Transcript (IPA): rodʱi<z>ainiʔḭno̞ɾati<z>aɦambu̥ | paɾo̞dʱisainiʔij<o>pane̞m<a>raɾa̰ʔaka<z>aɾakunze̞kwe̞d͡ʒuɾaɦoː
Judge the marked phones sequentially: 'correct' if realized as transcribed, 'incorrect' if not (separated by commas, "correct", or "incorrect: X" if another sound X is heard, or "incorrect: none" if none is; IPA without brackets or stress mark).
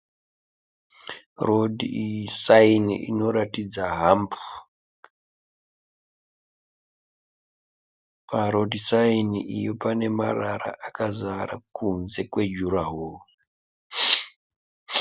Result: incorrect: s, incorrect: d͡z, correct, correct, correct